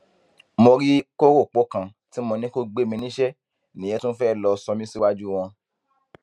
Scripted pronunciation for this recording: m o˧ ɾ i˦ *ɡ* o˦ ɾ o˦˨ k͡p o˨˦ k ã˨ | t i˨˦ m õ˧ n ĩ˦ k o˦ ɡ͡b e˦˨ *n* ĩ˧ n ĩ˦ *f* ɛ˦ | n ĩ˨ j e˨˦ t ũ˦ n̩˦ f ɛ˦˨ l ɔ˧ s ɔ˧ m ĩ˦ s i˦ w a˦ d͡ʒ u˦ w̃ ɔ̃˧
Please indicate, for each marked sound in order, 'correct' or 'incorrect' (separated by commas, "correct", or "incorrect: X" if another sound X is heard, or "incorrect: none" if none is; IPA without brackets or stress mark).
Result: incorrect: k, incorrect: m, incorrect: ʃ